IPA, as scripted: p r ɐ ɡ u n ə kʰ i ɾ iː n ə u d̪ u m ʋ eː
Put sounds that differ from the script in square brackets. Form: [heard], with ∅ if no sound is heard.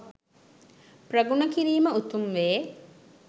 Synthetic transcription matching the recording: p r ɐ ɡ u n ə [k] i ɾ iː [m] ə u [t̪] u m ʋ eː